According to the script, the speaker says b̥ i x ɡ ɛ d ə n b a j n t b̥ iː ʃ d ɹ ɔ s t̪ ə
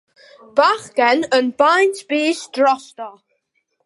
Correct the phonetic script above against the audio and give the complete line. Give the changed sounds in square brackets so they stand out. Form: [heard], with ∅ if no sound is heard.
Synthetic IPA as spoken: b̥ [a] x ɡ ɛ [n] ə n b a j n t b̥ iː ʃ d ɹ ɔ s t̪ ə

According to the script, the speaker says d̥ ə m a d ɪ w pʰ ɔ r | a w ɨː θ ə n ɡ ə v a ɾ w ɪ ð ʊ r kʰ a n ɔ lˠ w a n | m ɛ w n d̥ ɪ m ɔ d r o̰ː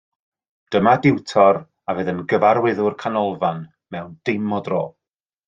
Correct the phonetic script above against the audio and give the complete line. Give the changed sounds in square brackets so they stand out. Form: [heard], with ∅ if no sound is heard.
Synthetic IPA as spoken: d̥ ə m a d ɪ w [tʰ] ɔ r | a [v] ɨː [ð] ə n ɡ ə v a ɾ w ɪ ð ʊ r kʰ a n ɔ lˠ [v] a n | m ɛ w n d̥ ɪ m ɔ d r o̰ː

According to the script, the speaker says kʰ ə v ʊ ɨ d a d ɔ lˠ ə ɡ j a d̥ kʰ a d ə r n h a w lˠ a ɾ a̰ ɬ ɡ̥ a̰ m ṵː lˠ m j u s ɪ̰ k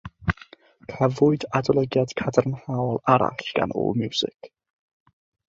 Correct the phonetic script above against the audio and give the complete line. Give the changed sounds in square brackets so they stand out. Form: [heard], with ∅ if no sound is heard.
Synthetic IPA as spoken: kʰ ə v ʊ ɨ d a d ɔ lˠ ə ɡ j a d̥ kʰ a d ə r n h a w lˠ a ɾ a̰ ɬ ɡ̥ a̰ [n] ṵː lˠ m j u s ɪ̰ k

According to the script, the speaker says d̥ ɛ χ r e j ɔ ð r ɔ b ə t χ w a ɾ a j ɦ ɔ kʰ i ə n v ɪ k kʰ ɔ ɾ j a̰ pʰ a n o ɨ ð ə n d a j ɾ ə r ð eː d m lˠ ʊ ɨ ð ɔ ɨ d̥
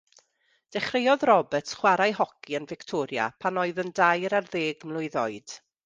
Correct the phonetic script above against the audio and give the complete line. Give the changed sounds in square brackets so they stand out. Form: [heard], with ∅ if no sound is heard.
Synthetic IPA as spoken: d̥ ɛ χ r e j ɔ ð r ɔ b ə t χ w a ɾ a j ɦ ɔ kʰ i ə n v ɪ k [tʰ] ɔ ɾ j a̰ pʰ a n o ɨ ð ə n d a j ɾ [a] r ð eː [ɡ] m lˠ ʊ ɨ ð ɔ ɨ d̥

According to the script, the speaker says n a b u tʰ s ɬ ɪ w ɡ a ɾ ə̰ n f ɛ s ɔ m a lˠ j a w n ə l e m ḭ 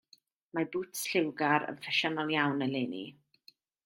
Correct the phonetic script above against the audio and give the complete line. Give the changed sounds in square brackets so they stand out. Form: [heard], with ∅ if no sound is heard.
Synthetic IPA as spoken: [m] a b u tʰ s ɬ ɪ w ɡ a ɾ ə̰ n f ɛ [ʃ] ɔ [n] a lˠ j a w n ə l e [n] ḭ

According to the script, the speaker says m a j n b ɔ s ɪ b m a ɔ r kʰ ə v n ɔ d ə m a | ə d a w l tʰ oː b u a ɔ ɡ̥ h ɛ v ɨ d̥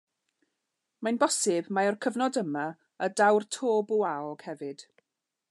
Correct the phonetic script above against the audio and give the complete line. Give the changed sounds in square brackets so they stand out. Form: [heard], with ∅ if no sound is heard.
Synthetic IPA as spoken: m a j n b ɔ s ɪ b m a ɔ r kʰ ə v n ɔ d ə m a | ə d a w [r] tʰ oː b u a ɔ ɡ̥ h ɛ v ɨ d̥

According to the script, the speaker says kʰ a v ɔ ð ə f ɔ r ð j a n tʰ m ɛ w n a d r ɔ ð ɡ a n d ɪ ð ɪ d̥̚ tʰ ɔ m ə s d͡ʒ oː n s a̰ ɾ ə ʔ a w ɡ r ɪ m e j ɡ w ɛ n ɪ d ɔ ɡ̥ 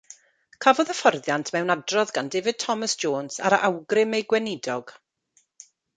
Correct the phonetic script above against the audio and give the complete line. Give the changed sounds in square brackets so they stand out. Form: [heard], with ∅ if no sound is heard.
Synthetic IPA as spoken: kʰ a v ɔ ð ə f ɔ r ð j a n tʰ m ɛ w n a d r ɔ ð ɡ a n d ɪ [v] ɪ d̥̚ tʰ ɔ m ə s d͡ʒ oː n s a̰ ɾ ə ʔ a w ɡ r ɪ m e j ɡ w ɛ n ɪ d ɔ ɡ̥

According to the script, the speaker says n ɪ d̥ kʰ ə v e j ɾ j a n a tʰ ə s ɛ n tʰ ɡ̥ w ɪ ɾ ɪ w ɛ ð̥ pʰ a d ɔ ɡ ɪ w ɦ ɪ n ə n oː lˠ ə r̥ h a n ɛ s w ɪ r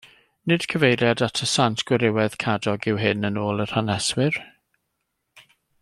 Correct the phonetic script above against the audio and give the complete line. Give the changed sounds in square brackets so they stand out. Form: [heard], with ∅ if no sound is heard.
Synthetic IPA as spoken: n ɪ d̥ kʰ ə v e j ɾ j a [d] a tʰ ə s [a] n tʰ ɡ̥ w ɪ ɾ ɪ w ɛ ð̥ [kʰ] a d ɔ ɡ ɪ w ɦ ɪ n ə n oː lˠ ə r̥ h a n ɛ s w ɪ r

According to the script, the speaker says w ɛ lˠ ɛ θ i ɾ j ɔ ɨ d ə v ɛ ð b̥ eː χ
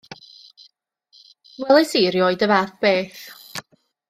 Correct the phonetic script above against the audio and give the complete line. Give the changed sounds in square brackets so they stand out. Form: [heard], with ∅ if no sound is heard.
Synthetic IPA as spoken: w ɛ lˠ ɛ [s] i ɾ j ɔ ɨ d ə v [a] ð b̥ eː [θ]

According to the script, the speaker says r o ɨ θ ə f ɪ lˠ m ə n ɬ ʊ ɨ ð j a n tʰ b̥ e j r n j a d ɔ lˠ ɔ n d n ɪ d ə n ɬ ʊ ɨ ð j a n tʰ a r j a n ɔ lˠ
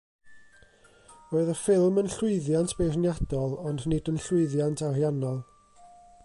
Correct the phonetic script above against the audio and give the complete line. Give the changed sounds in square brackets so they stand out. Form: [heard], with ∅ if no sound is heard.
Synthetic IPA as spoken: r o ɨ [ð] ə f ɪ lˠ m ə n ɬ ʊ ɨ ð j a n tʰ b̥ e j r n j a d ɔ lˠ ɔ n d n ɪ d ə n ɬ ʊ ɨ ð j a n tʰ a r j a n ɔ lˠ

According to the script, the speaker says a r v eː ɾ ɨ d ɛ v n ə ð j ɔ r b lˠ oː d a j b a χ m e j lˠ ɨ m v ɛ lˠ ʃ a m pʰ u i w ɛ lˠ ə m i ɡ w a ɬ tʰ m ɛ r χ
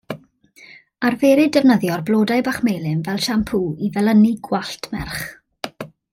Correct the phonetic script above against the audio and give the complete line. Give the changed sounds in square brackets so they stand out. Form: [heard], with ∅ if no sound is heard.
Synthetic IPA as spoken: a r v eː ɾ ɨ d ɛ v n ə ð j ɔ r b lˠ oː d a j b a χ m e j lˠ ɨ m v ɛ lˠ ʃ a m pʰ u i [v] ɛ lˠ ə [n] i ɡ w a ɬ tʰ m ɛ r χ

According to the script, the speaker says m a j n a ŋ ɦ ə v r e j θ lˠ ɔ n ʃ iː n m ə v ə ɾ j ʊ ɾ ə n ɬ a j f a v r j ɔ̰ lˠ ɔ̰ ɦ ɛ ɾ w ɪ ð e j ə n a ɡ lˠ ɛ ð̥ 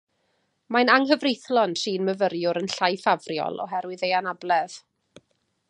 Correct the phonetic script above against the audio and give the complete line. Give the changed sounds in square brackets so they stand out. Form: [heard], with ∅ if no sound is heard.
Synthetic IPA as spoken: m a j n a ŋ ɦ ə v r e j θ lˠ ɔ n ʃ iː n m ə v ə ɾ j ʊ ɾ ə n ɬ a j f a v r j ɔ̰ lˠ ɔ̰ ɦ ɛ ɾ w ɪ ð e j [a] n a [b] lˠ ɛ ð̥

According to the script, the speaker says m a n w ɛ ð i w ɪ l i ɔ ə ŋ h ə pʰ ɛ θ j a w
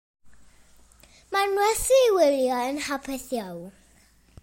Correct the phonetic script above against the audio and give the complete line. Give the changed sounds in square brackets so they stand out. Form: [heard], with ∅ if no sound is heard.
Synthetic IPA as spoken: m a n w ɛ [θ] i w ɪ l [j] ɔ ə [n] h [a] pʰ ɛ θ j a w

